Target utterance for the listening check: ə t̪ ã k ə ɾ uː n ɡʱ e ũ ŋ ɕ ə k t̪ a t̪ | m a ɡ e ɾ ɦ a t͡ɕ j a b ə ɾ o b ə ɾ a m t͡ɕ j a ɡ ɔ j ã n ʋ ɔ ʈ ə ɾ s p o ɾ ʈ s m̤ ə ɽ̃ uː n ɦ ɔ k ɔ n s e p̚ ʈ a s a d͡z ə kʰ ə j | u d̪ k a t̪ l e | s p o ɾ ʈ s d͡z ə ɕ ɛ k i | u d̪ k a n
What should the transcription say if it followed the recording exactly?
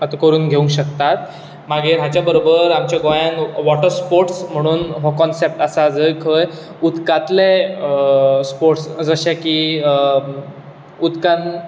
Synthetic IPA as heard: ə t̪ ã k ə ɾ uː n ɡʱ e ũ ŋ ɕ ə k t̪ a t̪ | m a ɡ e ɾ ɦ a t͡ɕ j a b ə ɾ o b ə ɾ a m t͡ɕ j a ɡ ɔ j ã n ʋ ɔ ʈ ə ɾ s p o ɾ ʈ s m̤ ə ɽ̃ uː n ɦ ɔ k ɔ n s e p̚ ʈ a s a d͡z ə kʰ ə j | u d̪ k a t̪ l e | s p o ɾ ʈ s d͡z ə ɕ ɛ k i | u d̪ k a n